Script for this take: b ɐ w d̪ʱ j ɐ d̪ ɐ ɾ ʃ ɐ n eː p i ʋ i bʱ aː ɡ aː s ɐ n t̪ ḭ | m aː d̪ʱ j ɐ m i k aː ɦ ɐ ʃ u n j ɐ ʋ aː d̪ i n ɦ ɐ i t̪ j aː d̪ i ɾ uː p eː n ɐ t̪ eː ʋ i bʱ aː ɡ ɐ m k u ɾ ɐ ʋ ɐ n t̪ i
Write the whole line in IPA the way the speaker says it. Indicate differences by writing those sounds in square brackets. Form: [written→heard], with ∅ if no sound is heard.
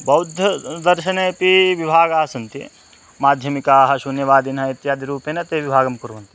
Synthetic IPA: b ɐ w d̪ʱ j ɐ d̪ ɐ ɾ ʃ ɐ n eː p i ʋ i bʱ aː ɡ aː s ɐ n t̪ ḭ | m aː d̪ʱ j ɐ m i k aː ɦ ɐ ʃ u n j ɐ ʋ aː d̪ i n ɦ ɐ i t̪ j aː d̪ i ɾ uː p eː n ɐ t̪ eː ʋ i bʱ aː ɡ ɐ m k u ɾ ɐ ʋ ɐ n t̪ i